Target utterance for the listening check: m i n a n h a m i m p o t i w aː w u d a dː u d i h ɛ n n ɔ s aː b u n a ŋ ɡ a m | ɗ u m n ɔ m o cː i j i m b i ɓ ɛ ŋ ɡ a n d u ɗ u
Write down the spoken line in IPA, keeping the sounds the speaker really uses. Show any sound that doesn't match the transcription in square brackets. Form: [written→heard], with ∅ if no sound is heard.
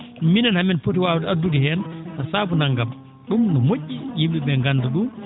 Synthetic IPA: m i n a n h a m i [m→n] p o t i w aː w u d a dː u d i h ɛ n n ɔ s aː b u n a ŋ ɡ a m | ɗ u m n ɔ m o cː i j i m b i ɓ ɛ ŋ ɡ a n d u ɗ u